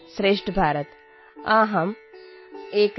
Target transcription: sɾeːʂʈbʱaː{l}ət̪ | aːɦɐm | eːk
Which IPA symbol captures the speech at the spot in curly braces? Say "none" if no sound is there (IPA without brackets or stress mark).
ɾ